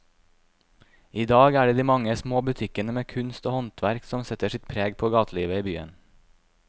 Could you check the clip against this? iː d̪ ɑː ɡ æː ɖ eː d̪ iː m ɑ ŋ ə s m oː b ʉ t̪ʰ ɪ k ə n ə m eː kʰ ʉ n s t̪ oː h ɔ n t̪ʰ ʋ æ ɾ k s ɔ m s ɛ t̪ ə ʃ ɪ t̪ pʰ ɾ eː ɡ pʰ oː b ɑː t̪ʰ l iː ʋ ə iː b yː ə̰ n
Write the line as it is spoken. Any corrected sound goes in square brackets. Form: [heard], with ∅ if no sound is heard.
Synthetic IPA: iː d̪ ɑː ɡ æː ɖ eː d̪ iː m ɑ ŋ ə s m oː b ʉ t̪ʰ ɪ k ə n ə m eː kʰ ʉ n s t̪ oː h ɔ n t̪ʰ ʋ æ ɾ k s ɔ m s ɛ t̪ ə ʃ ɪ t̪ pʰ ɾ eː ɡ pʰ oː [ɡ] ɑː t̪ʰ l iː ʋ ə iː b yː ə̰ n